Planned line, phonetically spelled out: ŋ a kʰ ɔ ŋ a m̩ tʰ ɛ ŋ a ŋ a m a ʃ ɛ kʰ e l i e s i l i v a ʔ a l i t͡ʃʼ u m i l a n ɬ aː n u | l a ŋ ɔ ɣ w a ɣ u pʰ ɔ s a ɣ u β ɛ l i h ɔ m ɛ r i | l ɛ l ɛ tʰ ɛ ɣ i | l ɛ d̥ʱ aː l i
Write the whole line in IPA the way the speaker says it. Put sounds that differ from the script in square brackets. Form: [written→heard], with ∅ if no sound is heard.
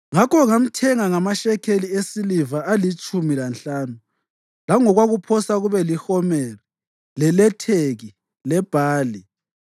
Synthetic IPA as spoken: ŋ a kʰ ɔ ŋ a m̩ tʰ ɛ ŋ a ŋ a m a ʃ ɛ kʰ e l i e s i l i v a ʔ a l i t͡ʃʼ u m i l a n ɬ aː n u | l a ŋ ɔ ɣ w a ɣ u pʰ ɔ s a ɣ u β ɛ l i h ɔ m ɛ r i | l ɛ l ɛ tʰ [ɛ→e] ɣ i | l ɛ [d̥ʱ→b̥ʱ] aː l i

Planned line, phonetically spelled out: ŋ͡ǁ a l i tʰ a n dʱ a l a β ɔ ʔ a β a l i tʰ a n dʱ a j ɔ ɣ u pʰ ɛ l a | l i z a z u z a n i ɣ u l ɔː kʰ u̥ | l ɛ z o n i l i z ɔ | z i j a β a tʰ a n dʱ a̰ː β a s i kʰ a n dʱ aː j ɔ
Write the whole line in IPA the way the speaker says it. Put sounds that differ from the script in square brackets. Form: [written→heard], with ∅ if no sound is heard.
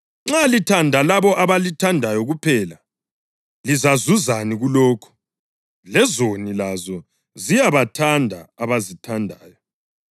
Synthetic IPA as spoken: ŋ͡ǁ a l i tʰ a n dʱ a l a β ɔ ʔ a β a l i tʰ a n dʱ a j ɔ ɣ u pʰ ɛ l a | l i z a z u z a n i ɣ u l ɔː kʰ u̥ | l ɛ z o n i l [i→a] z ɔ | z i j a β a tʰ a n dʱ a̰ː β a [s→z] i [kʰ→tʰ] a n dʱ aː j ɔ

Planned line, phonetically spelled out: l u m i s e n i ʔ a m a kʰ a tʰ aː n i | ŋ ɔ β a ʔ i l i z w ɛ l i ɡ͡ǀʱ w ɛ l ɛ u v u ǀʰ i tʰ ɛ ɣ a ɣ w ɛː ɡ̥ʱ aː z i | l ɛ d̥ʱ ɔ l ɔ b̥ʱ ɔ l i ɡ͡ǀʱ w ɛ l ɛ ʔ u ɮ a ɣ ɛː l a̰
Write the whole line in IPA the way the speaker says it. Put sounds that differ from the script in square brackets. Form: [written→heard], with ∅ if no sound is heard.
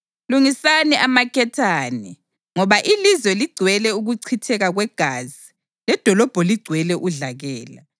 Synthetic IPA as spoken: l u [m→ŋ] i s [e→a] n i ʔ a m a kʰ [a→ɛ] tʰ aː n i | ŋ ɔ β a ʔ i l i z w ɛ l i ɡ͡ǀʱ w ɛ l ɛ u [v→ɣ] u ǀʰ i tʰ ɛ ɣ a ɣ w [ɛː→ɛ] ɡ̥ʱ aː z i | l ɛ d̥ʱ ɔ l ɔ b̥ʱ ɔ l i ɡ͡ǀʱ w ɛ l ɛ ʔ u ɮ a ɣ ɛː l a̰

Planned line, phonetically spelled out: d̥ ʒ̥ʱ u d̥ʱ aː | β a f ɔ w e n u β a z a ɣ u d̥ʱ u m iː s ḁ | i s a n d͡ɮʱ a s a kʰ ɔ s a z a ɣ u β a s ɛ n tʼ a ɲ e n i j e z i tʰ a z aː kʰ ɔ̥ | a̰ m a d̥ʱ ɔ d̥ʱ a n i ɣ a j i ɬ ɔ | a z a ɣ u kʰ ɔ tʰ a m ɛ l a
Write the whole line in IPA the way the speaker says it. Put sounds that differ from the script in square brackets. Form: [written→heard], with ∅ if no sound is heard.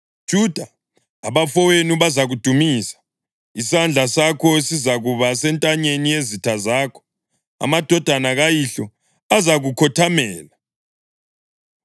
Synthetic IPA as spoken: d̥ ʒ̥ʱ u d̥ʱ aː | β a f ɔ w e n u β a z a ɣ u d̥ʱ u m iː s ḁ | i s a n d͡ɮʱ a s a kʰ ɔ s [a→i] z a ɣ u β a s ɛ n tʼ a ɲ e n i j e z i tʰ a z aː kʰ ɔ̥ | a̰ m a d̥ʱ ɔ d̥ʱ a n [i→a] ɣ a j i ɬ ɔ | a z a ɣ u kʰ ɔ tʰ a m [ɛ→ɛː] l a

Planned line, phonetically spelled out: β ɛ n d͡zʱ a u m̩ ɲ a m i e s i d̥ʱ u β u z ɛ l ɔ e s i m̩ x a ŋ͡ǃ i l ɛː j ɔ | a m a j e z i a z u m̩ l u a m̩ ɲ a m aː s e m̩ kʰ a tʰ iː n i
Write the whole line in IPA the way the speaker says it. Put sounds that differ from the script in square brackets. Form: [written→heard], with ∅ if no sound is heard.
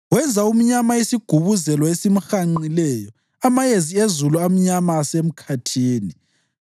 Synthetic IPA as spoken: [β→w] ɛ n d͡zʱ a u m̩ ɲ a m [i→a] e s i [d̥ʱ→ɡ̥ʱ] u β u z ɛ l ɔ e s i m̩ x a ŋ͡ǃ i l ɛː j ɔ | a m a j e z i [a→e] z u [m̩→∅] l u a m̩ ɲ a m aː s e m̩ kʰ a tʰ iː n i

